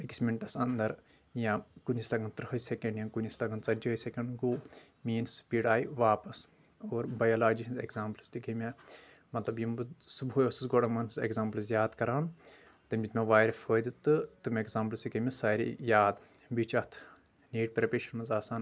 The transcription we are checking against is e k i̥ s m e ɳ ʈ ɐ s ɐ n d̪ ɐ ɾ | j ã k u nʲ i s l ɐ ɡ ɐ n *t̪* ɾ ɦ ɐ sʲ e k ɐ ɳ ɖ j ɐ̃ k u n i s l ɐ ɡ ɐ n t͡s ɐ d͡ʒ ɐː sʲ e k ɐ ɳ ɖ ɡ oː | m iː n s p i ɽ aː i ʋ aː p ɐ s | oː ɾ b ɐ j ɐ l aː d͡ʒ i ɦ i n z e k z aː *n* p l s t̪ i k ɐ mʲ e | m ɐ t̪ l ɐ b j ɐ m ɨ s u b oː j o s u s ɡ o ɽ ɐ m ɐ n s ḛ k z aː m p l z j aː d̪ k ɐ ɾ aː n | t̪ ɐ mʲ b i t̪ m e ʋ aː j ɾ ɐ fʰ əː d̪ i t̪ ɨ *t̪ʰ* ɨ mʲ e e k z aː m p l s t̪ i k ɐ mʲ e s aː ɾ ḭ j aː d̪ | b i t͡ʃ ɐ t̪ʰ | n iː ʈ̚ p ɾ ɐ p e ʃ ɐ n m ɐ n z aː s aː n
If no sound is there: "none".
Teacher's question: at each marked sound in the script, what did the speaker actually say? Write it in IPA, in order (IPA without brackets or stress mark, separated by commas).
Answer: t̪, m, t̪